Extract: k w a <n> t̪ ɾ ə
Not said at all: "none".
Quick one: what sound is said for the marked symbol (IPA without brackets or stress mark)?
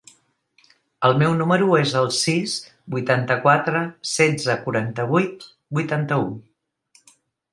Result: none